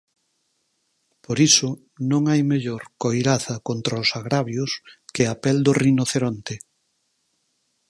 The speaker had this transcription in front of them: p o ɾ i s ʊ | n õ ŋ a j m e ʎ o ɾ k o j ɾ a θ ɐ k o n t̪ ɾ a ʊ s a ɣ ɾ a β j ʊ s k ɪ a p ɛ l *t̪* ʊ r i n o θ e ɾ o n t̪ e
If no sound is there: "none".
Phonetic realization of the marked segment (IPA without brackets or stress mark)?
d̪